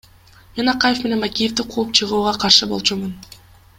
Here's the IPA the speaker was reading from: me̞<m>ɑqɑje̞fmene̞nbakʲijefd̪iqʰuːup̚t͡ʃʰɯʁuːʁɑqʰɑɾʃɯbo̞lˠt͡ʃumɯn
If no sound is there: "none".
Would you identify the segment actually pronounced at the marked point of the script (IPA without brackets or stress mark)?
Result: n